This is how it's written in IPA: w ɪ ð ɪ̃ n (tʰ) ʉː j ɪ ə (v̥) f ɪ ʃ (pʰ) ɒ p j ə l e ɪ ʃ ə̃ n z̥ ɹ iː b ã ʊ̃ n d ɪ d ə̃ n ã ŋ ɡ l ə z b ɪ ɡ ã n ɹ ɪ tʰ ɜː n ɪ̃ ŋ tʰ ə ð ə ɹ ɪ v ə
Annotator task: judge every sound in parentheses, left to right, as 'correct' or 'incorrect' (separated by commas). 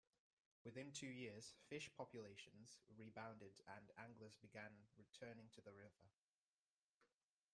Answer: correct, incorrect, correct